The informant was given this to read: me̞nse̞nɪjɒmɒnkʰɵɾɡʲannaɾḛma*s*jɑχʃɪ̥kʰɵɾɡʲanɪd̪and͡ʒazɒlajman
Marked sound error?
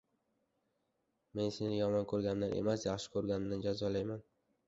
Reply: no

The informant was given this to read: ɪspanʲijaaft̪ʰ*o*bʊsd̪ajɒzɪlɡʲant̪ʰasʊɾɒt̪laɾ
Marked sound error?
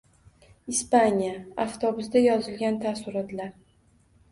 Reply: yes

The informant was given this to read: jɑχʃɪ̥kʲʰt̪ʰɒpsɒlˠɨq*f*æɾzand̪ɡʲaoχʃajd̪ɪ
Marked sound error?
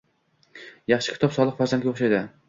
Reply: no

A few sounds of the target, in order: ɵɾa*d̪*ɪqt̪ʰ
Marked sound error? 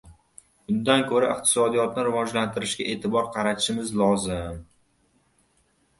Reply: yes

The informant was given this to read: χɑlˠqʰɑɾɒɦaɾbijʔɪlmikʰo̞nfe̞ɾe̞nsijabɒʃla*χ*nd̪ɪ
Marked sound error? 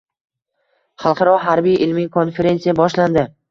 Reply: yes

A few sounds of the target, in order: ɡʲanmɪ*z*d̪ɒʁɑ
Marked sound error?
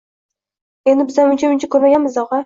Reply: no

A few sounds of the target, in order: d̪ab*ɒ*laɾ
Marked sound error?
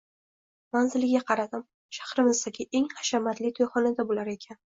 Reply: yes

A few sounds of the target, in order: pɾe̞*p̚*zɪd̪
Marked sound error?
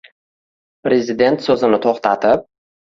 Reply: yes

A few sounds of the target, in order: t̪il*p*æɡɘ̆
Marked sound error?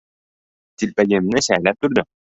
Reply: no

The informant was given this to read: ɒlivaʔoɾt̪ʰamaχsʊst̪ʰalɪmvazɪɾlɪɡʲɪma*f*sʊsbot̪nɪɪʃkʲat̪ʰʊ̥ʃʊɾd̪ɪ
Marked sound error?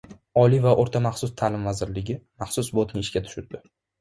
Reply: yes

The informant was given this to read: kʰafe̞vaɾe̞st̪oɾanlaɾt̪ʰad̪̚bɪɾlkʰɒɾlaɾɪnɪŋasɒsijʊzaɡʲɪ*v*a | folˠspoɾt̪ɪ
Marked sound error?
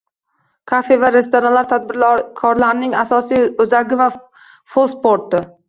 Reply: no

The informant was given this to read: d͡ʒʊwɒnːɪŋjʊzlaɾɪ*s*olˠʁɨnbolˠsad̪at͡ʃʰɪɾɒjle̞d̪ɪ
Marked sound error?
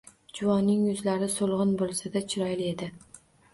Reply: no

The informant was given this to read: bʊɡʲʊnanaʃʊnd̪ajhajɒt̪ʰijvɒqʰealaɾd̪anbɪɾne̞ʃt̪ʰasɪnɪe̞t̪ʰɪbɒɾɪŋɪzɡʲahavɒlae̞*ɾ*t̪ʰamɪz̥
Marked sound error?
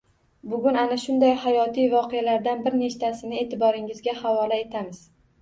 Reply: yes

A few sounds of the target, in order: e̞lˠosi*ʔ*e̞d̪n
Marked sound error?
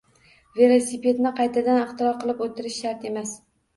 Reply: yes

